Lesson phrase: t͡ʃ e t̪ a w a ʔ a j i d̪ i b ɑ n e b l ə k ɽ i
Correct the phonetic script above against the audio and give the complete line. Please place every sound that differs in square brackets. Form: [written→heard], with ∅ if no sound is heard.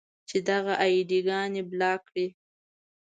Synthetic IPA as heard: t͡ʃ e [t̪→d̪] a [w→ɣ] a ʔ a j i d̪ i [b→ɡ] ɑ n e b l [ə→ɑ] k ɽ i